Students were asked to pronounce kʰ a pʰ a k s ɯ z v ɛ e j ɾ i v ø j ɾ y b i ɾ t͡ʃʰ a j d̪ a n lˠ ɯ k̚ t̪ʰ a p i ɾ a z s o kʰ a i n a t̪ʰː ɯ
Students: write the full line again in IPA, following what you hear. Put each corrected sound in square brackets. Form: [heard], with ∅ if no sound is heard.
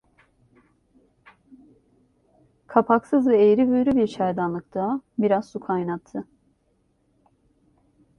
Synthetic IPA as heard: kʰ a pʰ a k s ɯ z v ɛ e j ɾ i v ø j ɾ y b i ɾ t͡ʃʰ a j d̪ a n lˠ ɯ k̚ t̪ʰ a [b] i ɾ a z s [u] kʰ a [j] n a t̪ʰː ɯ